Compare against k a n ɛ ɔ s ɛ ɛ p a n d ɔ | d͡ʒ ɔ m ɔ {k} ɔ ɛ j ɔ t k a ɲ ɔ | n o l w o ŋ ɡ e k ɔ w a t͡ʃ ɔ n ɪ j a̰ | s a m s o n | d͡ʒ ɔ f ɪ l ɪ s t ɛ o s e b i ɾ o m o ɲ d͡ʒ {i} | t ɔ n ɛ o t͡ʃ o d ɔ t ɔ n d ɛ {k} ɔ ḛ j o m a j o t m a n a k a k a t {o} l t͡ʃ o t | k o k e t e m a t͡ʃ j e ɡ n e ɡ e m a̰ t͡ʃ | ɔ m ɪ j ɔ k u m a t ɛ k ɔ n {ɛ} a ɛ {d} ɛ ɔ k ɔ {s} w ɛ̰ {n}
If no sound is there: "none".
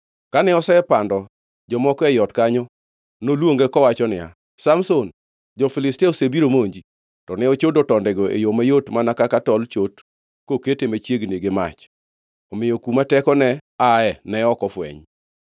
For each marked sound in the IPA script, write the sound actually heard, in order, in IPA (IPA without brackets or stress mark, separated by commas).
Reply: k, i, ɡ, ɔ, ɛ, n, f, ɲ